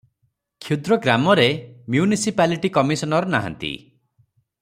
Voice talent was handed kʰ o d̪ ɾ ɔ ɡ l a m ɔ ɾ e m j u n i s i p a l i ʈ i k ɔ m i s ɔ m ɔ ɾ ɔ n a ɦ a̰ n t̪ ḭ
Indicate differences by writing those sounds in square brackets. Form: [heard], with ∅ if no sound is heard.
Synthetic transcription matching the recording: kʰ [u] d̪ ɾ ɔ ɡ [ɾ] a m ɔ ɾ e m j u n i s i p a l i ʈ i k ɔ m i s ɔ [n] ɔ ɾ ɔ n a ɦ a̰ n t̪ ḭ